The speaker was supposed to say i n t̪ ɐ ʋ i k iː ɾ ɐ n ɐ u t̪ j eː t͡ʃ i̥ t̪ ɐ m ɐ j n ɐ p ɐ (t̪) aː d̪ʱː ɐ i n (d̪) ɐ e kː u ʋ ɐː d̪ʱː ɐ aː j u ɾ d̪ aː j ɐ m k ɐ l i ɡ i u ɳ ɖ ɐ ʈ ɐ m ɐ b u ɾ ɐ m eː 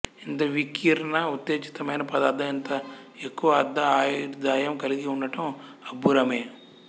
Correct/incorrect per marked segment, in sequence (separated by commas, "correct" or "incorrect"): incorrect, incorrect